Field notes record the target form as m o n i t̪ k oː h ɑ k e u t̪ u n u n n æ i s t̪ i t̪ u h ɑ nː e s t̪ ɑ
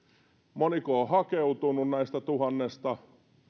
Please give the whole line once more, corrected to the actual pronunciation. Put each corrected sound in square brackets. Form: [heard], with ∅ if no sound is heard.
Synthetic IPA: m o n i [∅] k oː h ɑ k e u t̪ u n u n n æ i s t̪ [æ] t̪ u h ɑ nː e s t̪ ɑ